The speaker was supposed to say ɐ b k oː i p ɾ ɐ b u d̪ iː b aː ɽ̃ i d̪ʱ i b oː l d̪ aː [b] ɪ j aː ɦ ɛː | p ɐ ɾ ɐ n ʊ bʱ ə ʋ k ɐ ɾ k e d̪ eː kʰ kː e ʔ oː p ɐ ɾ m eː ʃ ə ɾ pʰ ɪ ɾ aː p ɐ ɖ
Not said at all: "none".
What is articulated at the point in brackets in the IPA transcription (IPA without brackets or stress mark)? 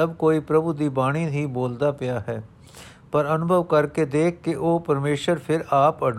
p